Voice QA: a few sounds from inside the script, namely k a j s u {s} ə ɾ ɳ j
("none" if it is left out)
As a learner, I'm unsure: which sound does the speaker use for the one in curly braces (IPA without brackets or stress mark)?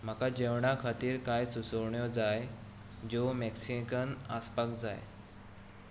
s